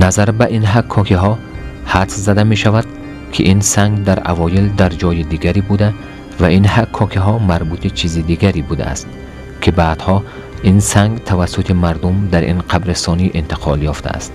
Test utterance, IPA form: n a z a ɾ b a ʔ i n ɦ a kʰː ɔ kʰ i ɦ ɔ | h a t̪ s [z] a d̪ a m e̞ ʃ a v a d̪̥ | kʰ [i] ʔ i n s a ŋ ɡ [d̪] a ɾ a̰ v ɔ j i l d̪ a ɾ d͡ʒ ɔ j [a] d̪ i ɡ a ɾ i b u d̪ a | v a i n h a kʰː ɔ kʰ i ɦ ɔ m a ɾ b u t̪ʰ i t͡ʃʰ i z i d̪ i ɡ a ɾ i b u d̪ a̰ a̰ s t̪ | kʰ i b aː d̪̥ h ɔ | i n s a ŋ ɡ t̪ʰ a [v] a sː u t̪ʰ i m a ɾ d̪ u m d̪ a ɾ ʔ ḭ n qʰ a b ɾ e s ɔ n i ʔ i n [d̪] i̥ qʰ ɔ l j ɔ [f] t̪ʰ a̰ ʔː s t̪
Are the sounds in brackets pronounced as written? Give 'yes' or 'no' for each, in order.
yes, yes, yes, no, yes, no, yes

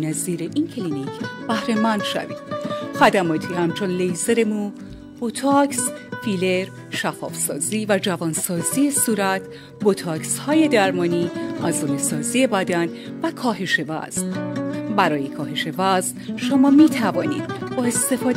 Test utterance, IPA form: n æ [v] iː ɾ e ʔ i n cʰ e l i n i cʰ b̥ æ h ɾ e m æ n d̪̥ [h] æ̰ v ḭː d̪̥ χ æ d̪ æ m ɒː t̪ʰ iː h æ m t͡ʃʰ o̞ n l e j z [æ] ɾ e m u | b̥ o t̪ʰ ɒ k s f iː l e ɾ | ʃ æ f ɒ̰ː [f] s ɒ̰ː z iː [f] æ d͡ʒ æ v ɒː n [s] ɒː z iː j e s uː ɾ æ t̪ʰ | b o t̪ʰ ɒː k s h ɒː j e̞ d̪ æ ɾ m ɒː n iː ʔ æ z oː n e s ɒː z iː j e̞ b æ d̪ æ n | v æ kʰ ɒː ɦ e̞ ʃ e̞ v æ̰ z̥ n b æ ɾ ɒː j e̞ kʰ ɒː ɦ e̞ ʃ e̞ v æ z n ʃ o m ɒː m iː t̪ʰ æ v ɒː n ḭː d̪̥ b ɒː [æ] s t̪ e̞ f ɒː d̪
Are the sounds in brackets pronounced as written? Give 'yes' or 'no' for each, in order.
no, no, no, yes, no, yes, no

